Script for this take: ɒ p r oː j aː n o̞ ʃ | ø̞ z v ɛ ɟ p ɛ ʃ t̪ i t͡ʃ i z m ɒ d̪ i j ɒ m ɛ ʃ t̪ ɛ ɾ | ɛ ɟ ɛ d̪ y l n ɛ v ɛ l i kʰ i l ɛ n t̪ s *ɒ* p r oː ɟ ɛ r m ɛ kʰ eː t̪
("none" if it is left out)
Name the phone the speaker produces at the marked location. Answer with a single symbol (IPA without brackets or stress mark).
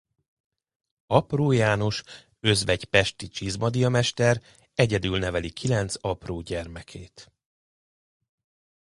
ɒ